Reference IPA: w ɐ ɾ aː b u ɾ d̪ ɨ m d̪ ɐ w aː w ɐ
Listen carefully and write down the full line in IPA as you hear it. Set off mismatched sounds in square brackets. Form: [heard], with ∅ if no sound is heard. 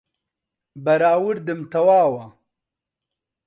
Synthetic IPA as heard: [b] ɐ ɾ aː [w] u ɾ d̪ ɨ m [t̪] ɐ w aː w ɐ

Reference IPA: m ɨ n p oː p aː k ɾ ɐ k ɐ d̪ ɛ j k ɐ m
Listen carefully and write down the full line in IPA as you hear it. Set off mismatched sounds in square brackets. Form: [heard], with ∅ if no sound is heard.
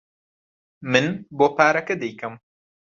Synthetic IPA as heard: m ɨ n [b] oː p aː [∅] ɾ ɐ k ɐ d̪ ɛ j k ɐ m

